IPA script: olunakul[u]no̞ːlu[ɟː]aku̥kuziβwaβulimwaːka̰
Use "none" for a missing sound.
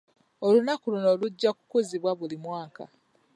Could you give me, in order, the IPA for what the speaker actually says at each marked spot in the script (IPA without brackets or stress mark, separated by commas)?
u, ɟː